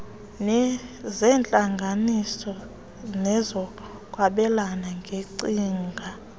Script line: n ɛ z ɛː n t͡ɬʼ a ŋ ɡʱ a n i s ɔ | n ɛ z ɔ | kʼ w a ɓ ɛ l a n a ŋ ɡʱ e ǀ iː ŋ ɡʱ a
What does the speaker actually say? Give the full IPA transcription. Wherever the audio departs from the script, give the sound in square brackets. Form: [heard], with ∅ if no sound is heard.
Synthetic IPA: n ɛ z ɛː n t͡ɬʼ a ŋ ɡʱ a n i s ɔ | n ɛ z ɔ | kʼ w a ɓ ɛ l a n a ŋ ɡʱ e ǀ iː ŋ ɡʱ a